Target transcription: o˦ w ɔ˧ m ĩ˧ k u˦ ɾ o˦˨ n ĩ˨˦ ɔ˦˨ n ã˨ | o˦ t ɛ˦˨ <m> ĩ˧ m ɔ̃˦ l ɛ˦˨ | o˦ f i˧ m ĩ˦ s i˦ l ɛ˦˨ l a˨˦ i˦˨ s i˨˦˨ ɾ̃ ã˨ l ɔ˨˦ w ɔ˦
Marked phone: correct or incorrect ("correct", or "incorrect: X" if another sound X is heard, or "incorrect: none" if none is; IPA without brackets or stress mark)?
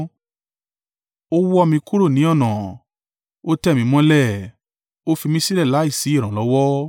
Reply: correct